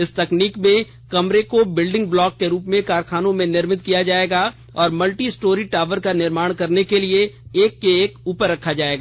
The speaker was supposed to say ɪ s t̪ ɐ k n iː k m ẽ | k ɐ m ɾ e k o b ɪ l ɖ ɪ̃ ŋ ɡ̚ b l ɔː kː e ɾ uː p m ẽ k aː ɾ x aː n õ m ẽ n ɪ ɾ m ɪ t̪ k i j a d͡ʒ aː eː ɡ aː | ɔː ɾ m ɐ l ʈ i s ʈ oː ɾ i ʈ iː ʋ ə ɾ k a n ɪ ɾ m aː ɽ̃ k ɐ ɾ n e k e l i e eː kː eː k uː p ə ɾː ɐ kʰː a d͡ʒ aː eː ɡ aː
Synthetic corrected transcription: ɪ s t̪ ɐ k n iː k m ẽ | k ɐ m ɾ e k o b ɪ l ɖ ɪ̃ ŋ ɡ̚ b l ɔː kː e ɾ uː p m ẽ k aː ɾ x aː n õ m ẽ n ɪ ɾ m ɪ t̪ k i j a d͡ʒ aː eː ɡ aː | ɔː ɾ m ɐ l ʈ i s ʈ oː ɾ i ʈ aː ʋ ə ɾ k a n ɪ ɾ m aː ɽ̃ k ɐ ɾ n e k e l i e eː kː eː k uː p ə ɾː ɐ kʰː a d͡ʒ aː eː ɡ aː

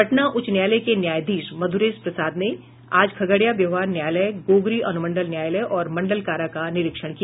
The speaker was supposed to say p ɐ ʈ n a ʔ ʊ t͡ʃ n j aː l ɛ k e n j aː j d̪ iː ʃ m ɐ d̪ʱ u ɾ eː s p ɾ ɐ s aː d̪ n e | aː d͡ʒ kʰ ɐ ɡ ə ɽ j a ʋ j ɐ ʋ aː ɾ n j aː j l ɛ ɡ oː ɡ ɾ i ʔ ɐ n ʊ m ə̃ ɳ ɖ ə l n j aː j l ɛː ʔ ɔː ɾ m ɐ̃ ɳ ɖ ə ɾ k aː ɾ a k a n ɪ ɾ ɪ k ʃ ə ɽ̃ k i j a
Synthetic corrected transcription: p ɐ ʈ n a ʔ ʊ t͡ʃ n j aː l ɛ k e n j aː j d̪ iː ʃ m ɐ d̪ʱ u ɾ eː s p ɾ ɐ s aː d̪ n e | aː d͡ʒ kʰ ɐ ɡ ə ɽ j a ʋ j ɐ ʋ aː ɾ n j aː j l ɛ ɡ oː ɡ ɾ i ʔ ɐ n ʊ m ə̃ ɳ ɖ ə l n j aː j l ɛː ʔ ɔː ɾ m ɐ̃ ɳ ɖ ə l k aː ɾ a k a n ɪ ɾ ɪ k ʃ ə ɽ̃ k i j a

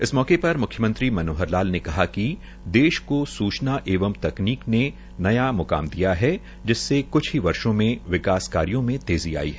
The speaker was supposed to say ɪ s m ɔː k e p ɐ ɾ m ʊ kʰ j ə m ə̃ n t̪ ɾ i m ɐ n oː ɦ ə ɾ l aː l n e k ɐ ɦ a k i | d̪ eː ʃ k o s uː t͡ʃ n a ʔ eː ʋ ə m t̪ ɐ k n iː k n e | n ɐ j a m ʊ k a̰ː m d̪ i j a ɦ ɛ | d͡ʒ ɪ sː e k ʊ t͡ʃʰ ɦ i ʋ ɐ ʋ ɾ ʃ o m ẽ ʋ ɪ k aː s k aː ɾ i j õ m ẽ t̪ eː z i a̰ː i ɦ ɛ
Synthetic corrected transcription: ɪ s m ɔː k e p ɐ ɾ m ʊ kʰ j ə m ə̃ n t̪ ɾ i m ɐ n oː ɦ ə ɾ l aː l n e k ɐ ɦ a k i | d̪ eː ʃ k o s uː t͡ʃ n a ʔ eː ʋ ə m t̪ ɐ k n iː k n e | n ɐ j a m ʊ k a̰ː m d̪ i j a ɦ ɛ | d͡ʒ ɪ sː e k ʊ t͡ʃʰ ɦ i ʋ ɐ ɾ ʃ õ m ẽ ʋ ɪ k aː s k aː ɾ i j õ m ẽ t̪ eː z i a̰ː i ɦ ɛ

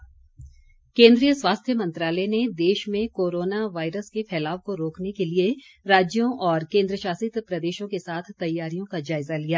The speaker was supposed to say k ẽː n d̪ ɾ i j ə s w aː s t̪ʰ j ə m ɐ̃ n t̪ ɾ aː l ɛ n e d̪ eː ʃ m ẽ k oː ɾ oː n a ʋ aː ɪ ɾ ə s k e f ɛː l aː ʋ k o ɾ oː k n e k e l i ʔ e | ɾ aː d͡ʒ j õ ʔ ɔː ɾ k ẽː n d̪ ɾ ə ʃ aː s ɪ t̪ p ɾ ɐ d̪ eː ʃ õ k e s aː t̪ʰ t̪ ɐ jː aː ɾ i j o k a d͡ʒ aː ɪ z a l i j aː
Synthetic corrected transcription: k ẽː n d̪ ɾ i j ə s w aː s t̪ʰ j ə m ɐ̃ n t̪ ɾ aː l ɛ n e d̪ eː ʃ m ẽ k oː ɾ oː n a ʋ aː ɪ ɾ ə s k e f ɛː l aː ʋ k o ɾ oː k n e k e l i e | ɾ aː d͡ʒ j õ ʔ ɔː ɾ k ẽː n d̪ ɾ ə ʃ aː s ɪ t̪ p ɾ ɐ d̪ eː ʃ õ k e s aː t̪ʰ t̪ ɐ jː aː ɾ i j õ k a d͡ʒ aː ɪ z a l i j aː

